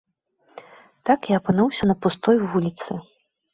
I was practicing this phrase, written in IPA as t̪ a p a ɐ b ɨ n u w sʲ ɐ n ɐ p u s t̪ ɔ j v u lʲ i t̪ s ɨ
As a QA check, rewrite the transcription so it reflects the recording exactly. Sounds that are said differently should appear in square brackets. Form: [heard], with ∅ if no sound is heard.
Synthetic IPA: t̪ a [k] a ɐ [p] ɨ n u w sʲ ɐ n ɐ p u s t̪ ɔ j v u lʲ i t̪ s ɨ